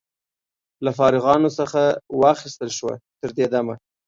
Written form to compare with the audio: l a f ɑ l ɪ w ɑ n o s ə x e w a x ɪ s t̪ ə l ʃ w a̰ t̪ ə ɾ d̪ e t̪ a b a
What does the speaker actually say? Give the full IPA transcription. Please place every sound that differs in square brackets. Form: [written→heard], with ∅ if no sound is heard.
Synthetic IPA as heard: l a f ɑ [l→ɾ] ɪ [w→ɣ] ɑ n o s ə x [e→a] w [a→ɑ] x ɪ s t̪ ə l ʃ w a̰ t̪ ə ɾ d̪ e [t̪→d̪] a [b→m] a